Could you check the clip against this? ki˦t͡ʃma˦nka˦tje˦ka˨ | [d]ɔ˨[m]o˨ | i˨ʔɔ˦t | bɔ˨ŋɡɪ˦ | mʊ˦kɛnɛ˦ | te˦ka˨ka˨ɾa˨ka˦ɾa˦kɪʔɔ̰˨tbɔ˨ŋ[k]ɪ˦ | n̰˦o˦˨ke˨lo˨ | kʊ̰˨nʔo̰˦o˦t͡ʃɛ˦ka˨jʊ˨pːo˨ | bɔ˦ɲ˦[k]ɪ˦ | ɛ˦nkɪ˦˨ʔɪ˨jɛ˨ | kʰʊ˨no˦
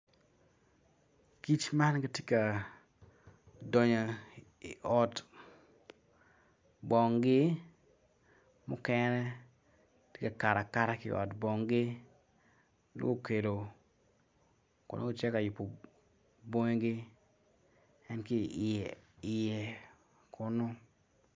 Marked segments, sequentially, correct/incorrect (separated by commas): correct, incorrect, incorrect, incorrect